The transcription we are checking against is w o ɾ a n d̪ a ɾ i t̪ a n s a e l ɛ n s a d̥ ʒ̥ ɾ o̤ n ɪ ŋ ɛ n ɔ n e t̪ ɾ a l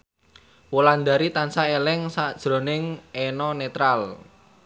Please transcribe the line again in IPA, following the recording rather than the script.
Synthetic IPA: w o l a n d̪ a ɾ i t̪ a n s a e l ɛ ŋ s a d̥ ʒ̥ ɾ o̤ n ɪ ŋ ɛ n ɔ n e t̪ ɾ a l